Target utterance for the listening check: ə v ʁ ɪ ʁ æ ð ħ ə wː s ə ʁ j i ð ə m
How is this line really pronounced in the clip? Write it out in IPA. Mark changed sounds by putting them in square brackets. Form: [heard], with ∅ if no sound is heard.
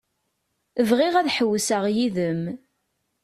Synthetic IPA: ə v ʁ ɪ ʁ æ ð ħ ə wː s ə ʁ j i ð ə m